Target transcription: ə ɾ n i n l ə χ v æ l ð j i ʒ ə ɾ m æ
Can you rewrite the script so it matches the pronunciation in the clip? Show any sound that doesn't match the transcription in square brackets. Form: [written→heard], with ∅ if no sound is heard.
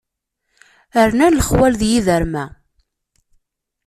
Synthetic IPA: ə ɾ n [i→æ] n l ə χ [v→w] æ l ð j i [ʒ→ð] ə ɾ m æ